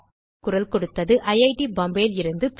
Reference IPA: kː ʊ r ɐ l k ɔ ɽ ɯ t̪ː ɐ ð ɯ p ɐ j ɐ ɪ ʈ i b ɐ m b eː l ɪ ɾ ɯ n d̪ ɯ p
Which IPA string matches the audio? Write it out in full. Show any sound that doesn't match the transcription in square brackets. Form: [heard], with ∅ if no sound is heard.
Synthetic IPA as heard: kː ʊ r ɐ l k ɔ ɽ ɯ t̪ː ɐ ð ɯ [ʔ] ɐ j ɐ ɪ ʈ i b ɐ m b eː l ɪ ɾ ɯ n d̪ ɯ p